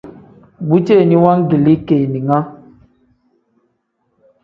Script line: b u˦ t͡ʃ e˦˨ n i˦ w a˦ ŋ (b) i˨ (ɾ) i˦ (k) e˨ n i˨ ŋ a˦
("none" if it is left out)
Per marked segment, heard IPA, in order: ɡ, l, k

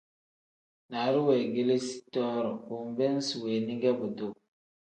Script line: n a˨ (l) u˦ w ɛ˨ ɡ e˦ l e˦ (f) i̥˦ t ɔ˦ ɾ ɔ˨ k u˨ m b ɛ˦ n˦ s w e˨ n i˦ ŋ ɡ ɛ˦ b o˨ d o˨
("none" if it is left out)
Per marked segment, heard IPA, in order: ɾ, s

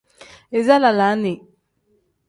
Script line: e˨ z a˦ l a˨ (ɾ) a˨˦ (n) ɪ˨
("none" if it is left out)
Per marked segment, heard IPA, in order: l, n

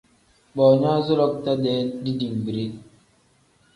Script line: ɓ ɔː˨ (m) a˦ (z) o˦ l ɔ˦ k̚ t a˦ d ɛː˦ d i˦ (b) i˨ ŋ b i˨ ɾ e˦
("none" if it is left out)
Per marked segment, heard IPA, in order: ɲ, z, d

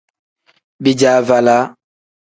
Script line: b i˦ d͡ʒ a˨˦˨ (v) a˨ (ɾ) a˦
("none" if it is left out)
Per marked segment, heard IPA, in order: v, l

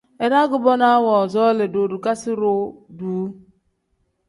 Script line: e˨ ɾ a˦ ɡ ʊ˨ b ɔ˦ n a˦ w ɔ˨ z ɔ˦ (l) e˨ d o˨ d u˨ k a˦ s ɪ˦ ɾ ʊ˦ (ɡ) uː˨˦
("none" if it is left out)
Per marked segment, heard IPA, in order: l, d

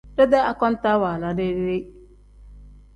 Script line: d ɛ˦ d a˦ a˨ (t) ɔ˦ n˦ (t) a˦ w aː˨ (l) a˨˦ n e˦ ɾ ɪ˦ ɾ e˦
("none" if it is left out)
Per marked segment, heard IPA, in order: k, t, l

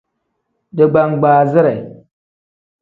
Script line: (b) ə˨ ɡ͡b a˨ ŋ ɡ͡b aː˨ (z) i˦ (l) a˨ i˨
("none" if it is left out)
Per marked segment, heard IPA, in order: d, z, ɾ

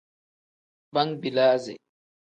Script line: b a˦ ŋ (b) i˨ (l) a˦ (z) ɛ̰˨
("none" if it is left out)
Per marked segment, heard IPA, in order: b, l, z

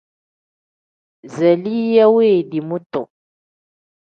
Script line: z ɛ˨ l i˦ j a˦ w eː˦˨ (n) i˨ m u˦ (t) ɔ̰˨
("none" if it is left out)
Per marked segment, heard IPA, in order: d, t

